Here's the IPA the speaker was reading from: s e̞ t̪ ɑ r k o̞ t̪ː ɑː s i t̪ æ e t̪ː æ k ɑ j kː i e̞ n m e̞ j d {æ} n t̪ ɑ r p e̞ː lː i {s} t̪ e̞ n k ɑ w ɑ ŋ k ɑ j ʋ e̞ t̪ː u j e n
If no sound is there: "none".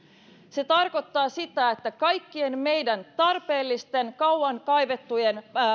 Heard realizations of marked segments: æ, s

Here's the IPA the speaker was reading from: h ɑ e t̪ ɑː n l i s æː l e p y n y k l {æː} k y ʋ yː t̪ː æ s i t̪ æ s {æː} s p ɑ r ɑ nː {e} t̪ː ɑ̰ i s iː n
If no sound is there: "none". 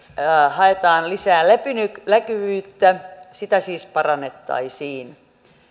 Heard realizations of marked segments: æ, iː, e

